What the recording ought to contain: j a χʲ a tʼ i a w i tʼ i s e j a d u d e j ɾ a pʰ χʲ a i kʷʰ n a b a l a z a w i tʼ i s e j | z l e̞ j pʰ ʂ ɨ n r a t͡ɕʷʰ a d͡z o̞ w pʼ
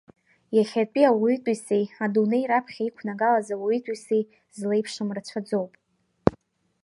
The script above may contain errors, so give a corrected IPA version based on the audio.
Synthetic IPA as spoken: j a χʲ a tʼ i a w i tʼ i s e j a d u n e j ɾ a pʰ χʲ a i kʷʰ n a ɡ a l a z a w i tʼ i s e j | z l e̞ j pʰ ʂ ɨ m r a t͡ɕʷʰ a d͡z o̞ w pʼ